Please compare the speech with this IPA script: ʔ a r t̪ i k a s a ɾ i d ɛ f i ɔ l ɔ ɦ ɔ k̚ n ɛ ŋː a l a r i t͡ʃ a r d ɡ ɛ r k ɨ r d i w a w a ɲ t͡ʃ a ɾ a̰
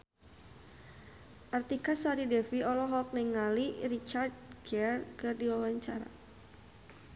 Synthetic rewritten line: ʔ a r t̪ i k a s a ɾ i d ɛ f i ɔ l ɔ ɦ ɔ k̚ n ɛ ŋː a l i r i t͡ʃ a r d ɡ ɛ r k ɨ r d i w a w a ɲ t͡ʃ a ɾ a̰